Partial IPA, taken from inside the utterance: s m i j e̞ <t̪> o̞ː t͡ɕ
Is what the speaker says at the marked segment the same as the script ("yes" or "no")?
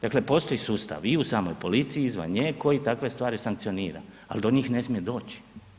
no